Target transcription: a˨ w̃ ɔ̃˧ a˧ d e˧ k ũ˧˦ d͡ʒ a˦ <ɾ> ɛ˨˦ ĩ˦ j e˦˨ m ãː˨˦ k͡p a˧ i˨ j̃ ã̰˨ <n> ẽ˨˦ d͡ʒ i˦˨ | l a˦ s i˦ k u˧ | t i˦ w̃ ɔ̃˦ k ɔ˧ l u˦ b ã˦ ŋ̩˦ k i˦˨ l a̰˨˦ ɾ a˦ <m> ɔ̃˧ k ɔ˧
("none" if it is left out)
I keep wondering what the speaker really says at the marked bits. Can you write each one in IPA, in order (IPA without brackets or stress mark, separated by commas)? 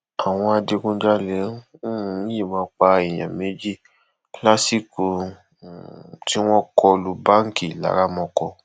l, m, m